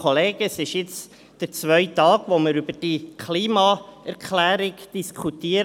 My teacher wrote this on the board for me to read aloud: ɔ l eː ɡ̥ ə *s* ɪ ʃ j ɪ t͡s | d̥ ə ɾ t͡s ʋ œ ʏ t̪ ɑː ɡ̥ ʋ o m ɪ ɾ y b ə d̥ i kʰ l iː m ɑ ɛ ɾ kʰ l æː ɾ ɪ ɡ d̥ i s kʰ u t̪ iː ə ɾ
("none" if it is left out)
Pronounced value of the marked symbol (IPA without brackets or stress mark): s